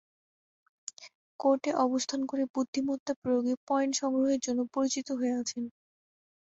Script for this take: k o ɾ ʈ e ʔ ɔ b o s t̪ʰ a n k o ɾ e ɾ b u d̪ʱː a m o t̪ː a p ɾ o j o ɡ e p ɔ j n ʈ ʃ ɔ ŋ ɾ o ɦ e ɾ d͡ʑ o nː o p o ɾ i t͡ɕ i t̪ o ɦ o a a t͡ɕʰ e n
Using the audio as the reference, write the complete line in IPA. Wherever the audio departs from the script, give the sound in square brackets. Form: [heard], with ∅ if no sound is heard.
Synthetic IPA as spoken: k o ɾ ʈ e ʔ ɔ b o s t̪ʰ a n k o ɾ e [∅] b u d̪ʱː [i] m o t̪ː a p ɾ o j o ɡ e p ɔ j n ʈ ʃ ɔ ŋ ɾ o ɦ e ɾ d͡ʑ o nː o p o ɾ i t͡ɕ i t̪ o ɦ o [e] a t͡ɕʰ e n